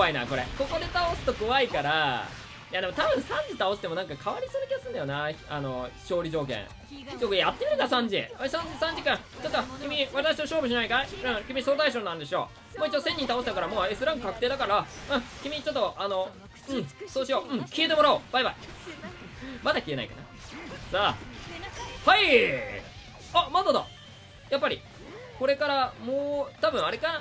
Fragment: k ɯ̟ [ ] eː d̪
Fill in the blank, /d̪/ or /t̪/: t̪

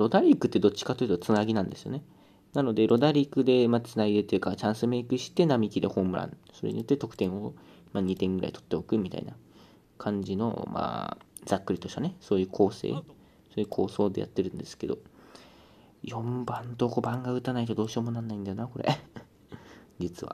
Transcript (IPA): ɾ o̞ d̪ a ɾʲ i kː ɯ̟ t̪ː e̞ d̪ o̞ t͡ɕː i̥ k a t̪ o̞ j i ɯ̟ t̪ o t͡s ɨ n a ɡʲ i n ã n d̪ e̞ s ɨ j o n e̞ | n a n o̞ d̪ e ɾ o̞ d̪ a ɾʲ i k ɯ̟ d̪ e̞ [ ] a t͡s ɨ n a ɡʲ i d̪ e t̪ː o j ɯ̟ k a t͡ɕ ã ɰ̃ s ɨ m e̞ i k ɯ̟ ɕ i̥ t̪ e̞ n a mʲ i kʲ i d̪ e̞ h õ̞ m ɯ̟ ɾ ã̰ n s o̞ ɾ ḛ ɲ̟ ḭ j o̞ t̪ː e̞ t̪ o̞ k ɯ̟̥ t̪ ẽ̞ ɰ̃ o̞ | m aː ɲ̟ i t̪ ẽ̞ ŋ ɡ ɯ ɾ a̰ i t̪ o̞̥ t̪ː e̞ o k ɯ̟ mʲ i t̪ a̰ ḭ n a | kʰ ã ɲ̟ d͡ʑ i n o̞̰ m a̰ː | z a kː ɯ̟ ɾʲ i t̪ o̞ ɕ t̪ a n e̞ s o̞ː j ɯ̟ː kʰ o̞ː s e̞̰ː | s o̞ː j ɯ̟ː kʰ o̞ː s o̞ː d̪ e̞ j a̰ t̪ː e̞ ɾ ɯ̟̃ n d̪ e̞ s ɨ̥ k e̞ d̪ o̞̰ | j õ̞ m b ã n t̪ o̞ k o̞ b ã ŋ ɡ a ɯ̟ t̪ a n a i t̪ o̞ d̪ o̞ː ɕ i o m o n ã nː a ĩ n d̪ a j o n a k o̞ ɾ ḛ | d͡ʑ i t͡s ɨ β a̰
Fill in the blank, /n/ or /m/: m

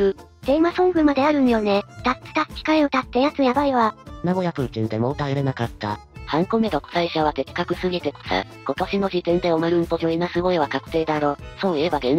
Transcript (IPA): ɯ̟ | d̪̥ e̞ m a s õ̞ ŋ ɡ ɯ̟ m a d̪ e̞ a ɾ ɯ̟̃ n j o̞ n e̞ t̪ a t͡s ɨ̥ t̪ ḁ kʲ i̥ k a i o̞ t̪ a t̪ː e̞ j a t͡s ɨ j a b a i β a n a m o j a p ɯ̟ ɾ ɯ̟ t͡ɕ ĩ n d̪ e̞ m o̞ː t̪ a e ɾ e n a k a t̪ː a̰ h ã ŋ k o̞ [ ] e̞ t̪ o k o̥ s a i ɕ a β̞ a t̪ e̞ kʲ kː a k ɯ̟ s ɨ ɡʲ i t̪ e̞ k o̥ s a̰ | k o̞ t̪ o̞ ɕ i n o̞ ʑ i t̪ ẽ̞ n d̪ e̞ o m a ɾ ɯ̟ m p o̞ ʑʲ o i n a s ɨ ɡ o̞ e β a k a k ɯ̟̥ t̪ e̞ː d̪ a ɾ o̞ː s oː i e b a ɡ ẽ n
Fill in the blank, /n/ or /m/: m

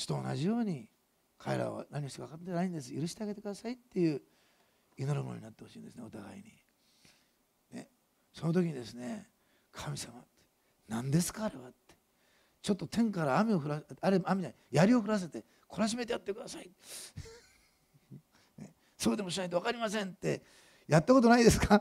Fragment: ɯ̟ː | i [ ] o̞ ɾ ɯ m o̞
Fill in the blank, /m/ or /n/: n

